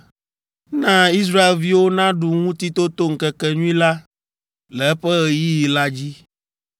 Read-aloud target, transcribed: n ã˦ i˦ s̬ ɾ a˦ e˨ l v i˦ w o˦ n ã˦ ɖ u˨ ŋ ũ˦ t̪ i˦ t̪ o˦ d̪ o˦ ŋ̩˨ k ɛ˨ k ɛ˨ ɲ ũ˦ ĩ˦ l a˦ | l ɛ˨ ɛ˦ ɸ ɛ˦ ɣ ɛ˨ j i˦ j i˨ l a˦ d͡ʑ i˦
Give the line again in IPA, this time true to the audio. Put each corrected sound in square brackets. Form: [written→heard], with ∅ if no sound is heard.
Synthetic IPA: n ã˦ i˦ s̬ ɾ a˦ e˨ l v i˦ w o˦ n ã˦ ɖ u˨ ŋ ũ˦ t̪ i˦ t̪ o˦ [d̪→t̪] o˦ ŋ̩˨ k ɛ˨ k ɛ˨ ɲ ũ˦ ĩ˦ l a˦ | l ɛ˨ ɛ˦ ɸ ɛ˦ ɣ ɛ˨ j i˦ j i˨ l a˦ d͡ʑ i˦